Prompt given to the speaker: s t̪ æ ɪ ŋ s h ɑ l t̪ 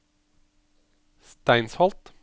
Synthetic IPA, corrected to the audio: s t̪ æ ɪ n s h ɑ l t̪